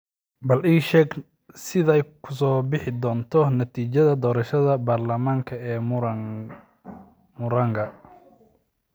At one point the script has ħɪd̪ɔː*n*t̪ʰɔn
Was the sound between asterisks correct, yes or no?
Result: yes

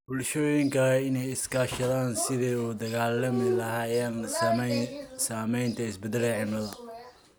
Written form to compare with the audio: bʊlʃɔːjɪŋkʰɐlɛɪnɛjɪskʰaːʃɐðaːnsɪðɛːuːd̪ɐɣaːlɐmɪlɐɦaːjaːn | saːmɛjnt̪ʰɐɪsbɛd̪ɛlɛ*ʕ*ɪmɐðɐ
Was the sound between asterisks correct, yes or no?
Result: yes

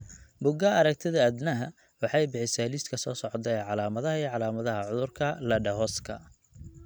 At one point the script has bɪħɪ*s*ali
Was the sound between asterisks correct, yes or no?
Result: yes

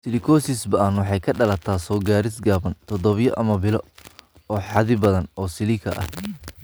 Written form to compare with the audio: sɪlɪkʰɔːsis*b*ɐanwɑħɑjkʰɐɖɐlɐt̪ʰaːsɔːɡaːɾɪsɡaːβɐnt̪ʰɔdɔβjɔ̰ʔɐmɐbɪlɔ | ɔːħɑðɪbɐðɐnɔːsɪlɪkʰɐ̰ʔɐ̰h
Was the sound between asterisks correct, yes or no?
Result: yes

